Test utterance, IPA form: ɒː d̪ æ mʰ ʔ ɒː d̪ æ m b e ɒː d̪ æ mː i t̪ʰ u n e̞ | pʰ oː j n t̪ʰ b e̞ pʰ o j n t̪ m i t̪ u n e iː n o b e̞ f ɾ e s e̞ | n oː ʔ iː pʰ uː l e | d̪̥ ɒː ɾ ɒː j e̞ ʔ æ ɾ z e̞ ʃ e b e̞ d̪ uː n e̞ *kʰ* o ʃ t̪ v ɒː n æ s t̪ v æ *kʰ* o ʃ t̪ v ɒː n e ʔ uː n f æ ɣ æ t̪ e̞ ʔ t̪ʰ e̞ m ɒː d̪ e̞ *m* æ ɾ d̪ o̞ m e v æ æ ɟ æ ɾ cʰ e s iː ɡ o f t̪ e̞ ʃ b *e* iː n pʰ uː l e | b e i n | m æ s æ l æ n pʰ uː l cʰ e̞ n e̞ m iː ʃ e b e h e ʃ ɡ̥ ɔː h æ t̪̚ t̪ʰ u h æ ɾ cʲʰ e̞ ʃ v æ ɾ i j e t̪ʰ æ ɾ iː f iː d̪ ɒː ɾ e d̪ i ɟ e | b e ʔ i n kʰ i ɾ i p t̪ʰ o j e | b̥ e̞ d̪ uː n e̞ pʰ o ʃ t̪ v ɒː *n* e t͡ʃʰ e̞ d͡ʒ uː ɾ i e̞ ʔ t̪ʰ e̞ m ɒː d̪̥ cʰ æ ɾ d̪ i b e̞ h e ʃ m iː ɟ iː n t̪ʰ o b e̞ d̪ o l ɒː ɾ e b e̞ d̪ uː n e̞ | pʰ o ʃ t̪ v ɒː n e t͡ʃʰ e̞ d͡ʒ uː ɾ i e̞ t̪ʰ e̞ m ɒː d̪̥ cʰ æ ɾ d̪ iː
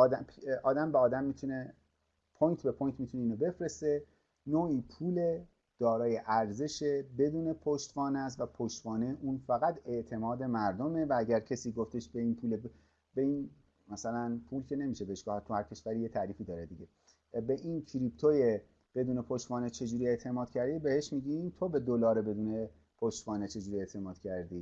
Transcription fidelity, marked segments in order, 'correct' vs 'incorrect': incorrect: pʰ, incorrect: pʰ, correct, correct, correct

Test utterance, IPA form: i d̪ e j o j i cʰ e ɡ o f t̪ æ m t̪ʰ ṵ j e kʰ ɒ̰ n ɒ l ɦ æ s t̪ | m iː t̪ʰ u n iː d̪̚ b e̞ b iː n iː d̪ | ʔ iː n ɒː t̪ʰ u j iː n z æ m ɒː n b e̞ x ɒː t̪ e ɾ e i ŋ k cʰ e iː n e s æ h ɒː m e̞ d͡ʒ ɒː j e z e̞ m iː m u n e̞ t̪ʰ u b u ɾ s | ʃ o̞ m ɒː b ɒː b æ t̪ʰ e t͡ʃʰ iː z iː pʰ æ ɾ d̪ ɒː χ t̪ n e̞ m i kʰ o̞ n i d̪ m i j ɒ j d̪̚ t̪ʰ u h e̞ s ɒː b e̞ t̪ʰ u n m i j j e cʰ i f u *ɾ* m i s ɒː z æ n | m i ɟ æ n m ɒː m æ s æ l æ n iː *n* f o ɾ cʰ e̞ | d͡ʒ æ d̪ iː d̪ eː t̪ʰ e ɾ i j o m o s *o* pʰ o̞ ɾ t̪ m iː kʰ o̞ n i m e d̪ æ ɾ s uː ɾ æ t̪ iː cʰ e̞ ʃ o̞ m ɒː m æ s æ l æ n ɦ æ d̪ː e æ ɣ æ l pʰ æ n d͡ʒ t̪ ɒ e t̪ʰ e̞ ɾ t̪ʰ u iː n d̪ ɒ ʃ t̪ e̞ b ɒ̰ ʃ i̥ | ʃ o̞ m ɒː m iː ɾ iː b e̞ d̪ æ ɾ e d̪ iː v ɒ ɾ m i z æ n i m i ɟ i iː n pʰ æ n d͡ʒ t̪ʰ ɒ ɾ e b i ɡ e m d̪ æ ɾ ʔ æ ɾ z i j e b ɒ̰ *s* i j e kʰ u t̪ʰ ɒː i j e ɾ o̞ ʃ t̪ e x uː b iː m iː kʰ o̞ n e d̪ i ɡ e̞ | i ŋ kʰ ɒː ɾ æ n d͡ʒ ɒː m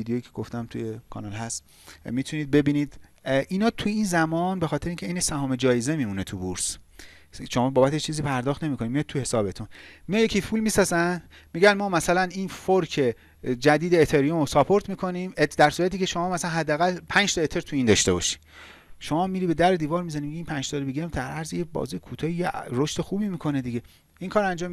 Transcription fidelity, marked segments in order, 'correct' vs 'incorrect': incorrect: l, correct, incorrect: ɒ, incorrect: z

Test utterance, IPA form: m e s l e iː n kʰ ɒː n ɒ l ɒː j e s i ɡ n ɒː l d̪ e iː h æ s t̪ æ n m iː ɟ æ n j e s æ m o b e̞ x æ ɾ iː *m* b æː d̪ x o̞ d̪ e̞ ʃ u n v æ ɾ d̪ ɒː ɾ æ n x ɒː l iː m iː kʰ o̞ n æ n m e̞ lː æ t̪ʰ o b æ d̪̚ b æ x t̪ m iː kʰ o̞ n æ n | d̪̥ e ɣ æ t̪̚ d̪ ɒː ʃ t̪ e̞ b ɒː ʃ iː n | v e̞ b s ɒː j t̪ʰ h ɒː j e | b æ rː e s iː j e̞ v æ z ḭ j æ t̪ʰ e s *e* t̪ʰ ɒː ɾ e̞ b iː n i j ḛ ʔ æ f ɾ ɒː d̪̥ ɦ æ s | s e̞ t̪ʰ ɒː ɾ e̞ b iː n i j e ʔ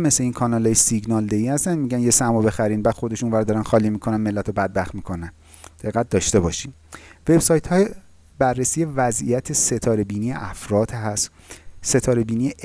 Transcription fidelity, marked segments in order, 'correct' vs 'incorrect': incorrect: n, correct

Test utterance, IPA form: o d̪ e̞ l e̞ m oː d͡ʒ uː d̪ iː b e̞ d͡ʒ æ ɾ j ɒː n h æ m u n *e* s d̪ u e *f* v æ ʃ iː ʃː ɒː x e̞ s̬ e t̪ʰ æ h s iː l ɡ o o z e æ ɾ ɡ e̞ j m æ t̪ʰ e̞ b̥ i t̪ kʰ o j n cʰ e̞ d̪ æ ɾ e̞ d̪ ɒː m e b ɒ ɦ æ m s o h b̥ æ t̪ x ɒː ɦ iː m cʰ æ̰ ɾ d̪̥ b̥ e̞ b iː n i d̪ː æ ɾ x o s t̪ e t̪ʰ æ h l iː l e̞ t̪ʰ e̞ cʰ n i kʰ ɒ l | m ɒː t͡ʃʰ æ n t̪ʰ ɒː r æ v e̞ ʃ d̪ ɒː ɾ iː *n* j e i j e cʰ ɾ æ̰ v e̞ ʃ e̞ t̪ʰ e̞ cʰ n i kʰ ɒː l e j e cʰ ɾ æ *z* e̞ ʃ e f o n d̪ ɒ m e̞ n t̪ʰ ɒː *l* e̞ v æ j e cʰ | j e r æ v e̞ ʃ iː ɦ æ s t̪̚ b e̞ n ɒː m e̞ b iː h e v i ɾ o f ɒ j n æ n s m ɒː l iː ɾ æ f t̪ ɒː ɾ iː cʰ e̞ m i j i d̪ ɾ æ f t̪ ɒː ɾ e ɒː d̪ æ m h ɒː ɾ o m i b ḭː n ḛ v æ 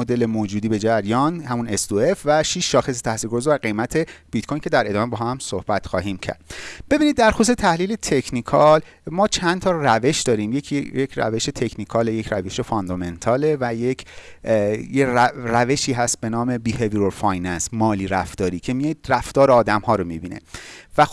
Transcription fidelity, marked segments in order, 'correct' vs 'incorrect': correct, correct, incorrect: m, incorrect: v, correct

